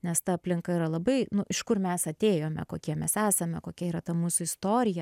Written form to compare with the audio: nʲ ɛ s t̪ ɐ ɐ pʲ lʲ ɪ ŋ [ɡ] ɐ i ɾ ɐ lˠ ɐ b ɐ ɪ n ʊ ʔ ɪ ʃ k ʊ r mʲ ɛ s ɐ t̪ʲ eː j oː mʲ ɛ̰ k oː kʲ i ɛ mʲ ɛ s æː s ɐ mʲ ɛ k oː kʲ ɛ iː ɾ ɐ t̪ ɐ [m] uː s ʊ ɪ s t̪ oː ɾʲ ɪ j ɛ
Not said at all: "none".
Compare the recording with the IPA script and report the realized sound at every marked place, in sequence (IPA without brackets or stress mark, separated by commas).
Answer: k, m